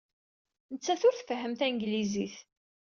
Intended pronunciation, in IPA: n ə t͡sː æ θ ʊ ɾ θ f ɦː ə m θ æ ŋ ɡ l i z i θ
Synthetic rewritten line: n ə t͡sː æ θ ʊ ɾ θ f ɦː ə m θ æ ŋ ɡ l i z i θ